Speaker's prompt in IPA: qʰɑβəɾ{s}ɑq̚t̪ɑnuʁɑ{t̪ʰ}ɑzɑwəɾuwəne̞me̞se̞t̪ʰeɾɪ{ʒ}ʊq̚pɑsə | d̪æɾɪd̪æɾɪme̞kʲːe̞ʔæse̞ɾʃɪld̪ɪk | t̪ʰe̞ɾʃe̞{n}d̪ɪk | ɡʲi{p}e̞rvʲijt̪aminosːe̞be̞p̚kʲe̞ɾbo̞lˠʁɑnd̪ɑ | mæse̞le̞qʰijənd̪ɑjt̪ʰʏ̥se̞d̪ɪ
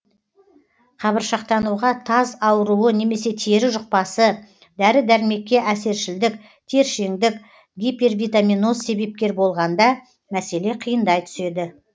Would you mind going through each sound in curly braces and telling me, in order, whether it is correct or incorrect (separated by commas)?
incorrect, correct, correct, incorrect, correct